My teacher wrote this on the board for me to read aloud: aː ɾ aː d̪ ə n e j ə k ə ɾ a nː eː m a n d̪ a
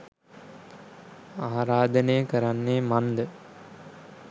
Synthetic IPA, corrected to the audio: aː ɾ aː d̪ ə n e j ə k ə ɾ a nː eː m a n d̪ ə